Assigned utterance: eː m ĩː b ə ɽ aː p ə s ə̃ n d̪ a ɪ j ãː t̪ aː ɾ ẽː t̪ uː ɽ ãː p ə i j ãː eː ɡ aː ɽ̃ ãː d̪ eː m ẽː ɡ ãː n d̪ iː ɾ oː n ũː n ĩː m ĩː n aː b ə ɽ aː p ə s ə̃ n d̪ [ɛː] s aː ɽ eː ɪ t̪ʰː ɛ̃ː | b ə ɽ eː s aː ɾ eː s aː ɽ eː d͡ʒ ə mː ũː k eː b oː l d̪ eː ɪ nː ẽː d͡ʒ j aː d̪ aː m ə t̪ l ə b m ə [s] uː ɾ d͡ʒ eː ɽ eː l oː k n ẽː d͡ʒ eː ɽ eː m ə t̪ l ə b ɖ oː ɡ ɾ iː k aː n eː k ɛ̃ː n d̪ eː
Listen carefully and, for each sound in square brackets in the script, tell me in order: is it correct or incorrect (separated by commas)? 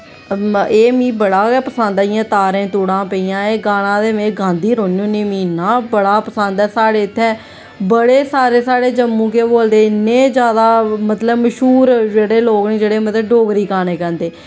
correct, incorrect